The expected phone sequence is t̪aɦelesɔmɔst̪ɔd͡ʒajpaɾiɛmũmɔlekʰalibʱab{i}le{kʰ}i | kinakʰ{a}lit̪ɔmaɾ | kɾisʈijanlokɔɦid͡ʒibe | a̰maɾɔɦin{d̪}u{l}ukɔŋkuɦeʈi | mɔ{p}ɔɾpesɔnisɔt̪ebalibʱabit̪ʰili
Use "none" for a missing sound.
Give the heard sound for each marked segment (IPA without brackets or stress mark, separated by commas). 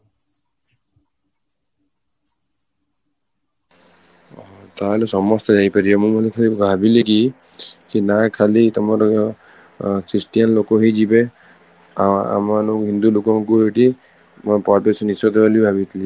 i, k, a, d̪, l, p